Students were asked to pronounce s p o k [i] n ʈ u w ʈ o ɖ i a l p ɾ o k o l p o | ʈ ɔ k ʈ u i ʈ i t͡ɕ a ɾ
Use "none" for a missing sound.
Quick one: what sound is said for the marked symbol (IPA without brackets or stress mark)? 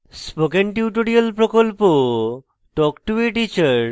e